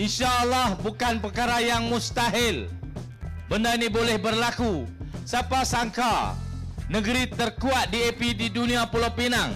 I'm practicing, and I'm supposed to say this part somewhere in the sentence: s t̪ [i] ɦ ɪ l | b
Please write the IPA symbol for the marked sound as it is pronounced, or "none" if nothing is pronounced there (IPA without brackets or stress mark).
a